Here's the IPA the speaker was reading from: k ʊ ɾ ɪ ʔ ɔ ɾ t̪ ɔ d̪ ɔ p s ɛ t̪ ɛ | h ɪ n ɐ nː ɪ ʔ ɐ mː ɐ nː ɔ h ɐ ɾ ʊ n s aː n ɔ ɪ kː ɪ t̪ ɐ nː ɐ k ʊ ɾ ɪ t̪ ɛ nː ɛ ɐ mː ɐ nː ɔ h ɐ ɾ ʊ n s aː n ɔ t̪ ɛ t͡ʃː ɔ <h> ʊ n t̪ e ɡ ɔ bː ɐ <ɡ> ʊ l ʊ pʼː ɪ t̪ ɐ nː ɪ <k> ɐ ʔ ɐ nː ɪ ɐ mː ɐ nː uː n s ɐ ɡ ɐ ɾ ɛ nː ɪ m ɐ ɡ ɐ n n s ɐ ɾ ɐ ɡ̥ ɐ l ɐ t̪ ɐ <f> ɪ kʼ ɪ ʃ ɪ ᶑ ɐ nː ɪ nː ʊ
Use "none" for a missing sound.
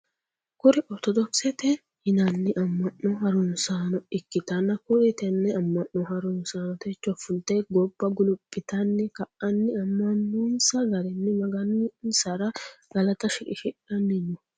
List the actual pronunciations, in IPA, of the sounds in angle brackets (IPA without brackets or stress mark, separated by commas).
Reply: f, ɡ, k, ʃ